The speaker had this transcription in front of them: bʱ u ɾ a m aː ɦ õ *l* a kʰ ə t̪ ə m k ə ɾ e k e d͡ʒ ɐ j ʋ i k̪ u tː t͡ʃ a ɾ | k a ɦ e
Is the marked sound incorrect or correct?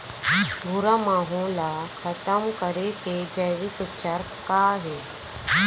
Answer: correct